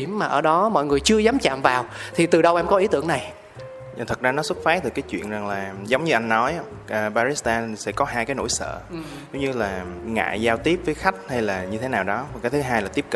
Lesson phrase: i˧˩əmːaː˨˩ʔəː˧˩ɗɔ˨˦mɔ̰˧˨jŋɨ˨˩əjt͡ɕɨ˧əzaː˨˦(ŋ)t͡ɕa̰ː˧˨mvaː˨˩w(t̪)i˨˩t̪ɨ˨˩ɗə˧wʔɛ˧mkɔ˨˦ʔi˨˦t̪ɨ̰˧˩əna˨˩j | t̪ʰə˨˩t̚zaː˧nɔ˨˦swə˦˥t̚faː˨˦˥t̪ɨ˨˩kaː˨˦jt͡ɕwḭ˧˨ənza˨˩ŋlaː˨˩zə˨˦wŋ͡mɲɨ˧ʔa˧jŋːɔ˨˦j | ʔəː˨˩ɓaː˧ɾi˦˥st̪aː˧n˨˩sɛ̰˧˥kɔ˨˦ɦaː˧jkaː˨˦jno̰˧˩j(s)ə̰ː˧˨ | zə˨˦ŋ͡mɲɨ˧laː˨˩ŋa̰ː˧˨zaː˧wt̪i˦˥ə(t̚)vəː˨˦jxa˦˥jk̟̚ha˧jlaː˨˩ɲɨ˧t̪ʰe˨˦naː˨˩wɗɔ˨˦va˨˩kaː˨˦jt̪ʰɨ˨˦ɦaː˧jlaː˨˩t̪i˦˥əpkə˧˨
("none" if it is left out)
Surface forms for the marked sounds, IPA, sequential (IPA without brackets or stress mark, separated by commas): m, t̪ʰ, s, p̚